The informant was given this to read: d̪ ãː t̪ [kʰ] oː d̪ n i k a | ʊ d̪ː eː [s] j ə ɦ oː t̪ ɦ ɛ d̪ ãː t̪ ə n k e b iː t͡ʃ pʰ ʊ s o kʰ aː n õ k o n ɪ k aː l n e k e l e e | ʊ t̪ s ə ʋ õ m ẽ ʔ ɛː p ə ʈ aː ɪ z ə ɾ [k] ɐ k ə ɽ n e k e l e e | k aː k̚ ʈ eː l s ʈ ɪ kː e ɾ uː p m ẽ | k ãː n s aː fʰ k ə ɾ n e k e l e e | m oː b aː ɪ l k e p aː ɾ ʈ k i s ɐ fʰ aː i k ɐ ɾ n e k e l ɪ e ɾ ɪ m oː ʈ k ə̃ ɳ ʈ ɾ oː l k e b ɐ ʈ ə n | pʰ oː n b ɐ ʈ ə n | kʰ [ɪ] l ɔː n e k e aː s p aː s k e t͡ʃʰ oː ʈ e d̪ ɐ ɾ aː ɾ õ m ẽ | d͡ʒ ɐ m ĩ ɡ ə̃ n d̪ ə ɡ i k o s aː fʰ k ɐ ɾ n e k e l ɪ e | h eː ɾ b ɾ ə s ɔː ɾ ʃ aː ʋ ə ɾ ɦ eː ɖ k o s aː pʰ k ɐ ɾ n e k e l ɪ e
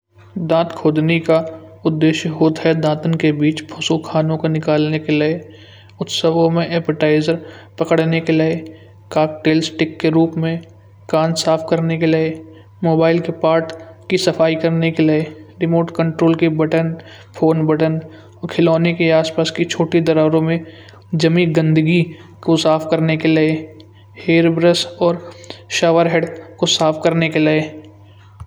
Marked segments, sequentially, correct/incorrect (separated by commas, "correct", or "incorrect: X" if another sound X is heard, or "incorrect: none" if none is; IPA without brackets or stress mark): correct, incorrect: ʃ, incorrect: p, correct